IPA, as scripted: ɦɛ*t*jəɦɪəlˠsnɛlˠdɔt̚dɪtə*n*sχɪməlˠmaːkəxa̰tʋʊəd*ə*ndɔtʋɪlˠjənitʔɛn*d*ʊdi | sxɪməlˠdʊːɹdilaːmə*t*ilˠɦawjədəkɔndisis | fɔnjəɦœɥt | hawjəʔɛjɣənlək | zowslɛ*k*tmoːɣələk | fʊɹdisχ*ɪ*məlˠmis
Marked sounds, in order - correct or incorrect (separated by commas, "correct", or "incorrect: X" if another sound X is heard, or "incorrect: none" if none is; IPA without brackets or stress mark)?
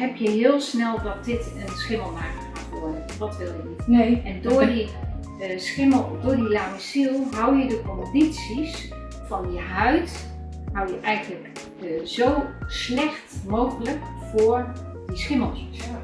incorrect: p, correct, correct, correct, incorrect: s, incorrect: x, correct